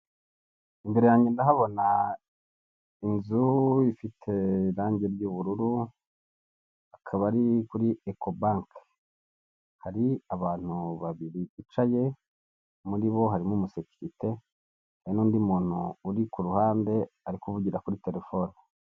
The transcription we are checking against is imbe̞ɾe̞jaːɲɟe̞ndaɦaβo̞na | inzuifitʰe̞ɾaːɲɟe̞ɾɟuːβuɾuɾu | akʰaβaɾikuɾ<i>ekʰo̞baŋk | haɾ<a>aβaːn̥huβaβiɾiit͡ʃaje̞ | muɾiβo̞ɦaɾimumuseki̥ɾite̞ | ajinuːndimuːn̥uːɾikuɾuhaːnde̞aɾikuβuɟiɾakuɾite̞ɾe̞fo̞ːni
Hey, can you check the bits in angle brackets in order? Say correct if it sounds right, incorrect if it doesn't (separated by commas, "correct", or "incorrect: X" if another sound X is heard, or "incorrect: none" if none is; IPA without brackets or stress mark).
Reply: correct, incorrect: i